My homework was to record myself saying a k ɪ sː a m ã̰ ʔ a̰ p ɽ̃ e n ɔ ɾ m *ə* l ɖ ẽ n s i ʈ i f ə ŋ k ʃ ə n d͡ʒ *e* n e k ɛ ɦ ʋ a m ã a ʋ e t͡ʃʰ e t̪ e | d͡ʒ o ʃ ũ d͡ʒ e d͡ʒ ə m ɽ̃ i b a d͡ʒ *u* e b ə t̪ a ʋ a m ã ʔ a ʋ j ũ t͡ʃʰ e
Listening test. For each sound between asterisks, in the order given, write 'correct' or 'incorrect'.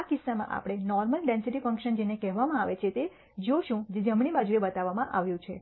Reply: correct, correct, correct

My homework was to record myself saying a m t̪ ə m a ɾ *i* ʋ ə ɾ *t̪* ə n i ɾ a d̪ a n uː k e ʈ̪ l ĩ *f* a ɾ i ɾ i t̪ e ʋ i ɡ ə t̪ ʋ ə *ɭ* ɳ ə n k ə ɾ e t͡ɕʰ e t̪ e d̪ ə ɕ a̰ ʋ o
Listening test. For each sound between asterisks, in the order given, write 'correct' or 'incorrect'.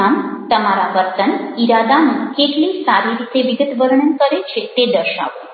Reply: incorrect, correct, incorrect, incorrect

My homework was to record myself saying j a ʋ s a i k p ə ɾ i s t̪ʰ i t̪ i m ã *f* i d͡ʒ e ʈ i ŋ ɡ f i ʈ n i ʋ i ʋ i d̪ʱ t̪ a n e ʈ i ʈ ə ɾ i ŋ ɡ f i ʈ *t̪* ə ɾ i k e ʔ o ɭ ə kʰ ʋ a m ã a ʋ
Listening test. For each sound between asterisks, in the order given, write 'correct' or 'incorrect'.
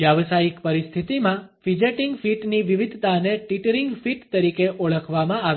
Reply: correct, correct

